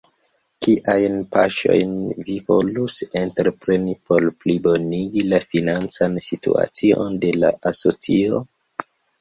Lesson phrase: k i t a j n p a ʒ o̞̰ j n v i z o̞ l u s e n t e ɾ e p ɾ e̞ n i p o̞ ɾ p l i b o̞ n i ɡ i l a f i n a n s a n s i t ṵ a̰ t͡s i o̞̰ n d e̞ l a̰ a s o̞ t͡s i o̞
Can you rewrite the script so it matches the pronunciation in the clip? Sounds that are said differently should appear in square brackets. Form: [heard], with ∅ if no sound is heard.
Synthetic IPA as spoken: k i [ʔ] a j n p a [ʃ] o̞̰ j n v i [v] o̞ l u s e n t e ɾ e p ɾ e̞ n i p o̞ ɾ p l i b o̞ n i ɡ i l a f i n a n [t͡s] a n s i t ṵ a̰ t͡s i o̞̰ n d e̞ l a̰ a s o̞ t͡s i o̞